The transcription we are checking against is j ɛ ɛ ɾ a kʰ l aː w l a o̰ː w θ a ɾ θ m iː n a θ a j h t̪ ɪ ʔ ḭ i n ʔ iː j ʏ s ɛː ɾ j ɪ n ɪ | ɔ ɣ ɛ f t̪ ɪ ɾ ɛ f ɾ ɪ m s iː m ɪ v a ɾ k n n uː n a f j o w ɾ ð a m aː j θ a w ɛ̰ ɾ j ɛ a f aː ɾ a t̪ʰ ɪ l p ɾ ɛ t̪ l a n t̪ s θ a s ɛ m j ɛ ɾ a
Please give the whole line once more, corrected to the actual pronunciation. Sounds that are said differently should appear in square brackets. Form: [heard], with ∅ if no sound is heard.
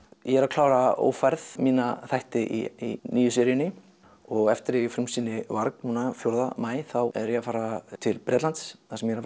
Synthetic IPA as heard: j ɛ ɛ ɾ a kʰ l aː w [ɾ] a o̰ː w [f] a ɾ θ m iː n a θ a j h t̪ ɪ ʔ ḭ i n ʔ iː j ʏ s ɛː ɾ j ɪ n ɪ | ɔ ɣ ɛ f t̪ ɪ ɾ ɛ f ɾ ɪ m s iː [n] ɪ v a ɾ k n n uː n a f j o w ɾ ð a m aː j θ a w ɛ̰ ɾ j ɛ a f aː ɾ a t̪ʰ ɪ l p ɾ ɛ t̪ l a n t̪ s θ a s ɛ m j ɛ ɾ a